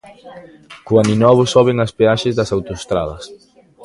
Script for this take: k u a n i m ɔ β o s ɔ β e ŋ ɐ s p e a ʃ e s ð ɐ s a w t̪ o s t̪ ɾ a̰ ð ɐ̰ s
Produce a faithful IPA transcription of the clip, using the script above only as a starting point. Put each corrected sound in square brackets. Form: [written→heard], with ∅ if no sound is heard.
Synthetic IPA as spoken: k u a n i [m→n] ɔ β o s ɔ β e ŋ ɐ s p e a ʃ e [s→z] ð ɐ s a w t̪ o s t̪ ɾ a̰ ð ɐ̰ s

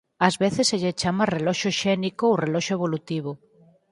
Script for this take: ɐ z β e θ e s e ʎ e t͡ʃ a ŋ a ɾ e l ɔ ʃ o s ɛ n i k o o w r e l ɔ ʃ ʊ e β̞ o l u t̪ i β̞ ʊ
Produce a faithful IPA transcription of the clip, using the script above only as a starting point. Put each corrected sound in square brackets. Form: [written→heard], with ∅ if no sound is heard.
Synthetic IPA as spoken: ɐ z β e θ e s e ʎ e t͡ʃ a [ŋ→m] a [ɾ→r] e l ɔ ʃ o [s→ʃ] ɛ n i k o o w r e l ɔ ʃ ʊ e β̞ o l u t̪ i β̞ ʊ

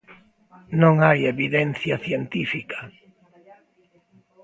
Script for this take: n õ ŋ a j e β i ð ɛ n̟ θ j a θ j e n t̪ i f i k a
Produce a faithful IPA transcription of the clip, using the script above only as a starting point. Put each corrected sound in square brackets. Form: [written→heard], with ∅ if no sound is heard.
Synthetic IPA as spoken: n õ ŋ a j e β i ð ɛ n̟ θ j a θ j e n t̪ i f i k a

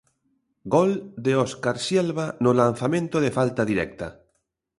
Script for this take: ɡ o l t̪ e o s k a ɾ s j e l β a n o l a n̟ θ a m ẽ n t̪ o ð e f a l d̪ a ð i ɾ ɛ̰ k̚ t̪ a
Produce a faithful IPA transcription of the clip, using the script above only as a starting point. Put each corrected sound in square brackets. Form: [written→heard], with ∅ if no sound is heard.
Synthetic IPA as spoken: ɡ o l [t̪→d̪] e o s k a ɾ s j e l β a n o l a n̟ θ a m ẽ n t̪ o ð e f a l [d̪→t̪] a ð i ɾ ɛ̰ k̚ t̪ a

